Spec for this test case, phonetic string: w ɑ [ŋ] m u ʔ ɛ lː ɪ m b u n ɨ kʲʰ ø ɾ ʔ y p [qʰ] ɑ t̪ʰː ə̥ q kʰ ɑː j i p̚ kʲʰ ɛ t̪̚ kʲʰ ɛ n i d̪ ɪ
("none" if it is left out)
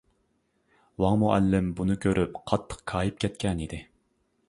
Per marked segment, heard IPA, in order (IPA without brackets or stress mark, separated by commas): ŋ, qʰ